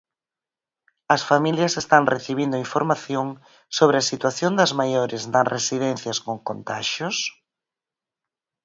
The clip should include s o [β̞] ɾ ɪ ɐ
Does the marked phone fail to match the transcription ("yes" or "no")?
no